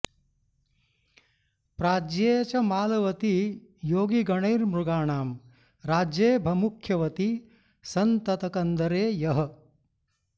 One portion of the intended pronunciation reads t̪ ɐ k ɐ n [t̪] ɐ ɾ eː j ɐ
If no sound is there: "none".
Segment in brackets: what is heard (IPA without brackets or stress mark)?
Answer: d̪